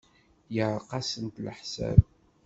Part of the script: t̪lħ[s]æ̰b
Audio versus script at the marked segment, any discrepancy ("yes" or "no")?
no